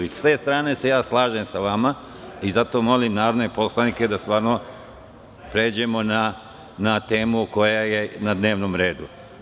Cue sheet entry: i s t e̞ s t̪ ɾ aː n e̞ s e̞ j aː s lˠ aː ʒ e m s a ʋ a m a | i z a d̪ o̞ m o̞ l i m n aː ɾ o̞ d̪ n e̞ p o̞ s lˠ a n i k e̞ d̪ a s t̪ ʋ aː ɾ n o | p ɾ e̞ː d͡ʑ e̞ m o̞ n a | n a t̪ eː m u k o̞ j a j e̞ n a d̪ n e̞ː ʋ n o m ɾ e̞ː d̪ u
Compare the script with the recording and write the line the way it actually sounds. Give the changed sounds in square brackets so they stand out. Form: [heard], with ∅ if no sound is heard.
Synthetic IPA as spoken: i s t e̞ s t̪ ɾ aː n e̞ s e̞ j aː s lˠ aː ʒ e m s a ʋ a m a | i z a [t̪] o̞ m o̞ l i m n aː ɾ o̞ d̪ n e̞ p o̞ s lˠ a n i k e̞ d̪ a s t̪ ʋ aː ɾ n o | p ɾ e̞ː d͡ʑ e̞ m o̞ n a | n a t̪ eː m u k o̞ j a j e̞ n a d̪ n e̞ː ʋ n o m ɾ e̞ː d̪ u